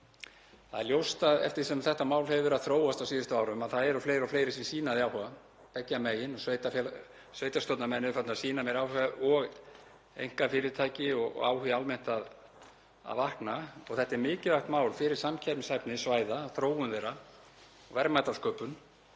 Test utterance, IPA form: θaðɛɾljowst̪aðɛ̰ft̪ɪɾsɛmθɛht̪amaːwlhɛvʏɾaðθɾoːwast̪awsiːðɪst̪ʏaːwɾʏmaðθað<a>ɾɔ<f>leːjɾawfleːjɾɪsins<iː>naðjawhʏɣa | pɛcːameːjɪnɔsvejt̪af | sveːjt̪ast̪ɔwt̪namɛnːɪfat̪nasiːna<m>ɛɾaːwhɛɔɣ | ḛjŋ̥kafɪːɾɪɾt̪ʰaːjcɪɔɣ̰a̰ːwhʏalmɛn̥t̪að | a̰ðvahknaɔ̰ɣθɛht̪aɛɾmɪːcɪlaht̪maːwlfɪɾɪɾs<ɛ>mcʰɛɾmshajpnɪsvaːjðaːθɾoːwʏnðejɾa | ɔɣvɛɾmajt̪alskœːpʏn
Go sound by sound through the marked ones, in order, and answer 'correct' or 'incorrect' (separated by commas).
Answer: incorrect, correct, correct, correct, incorrect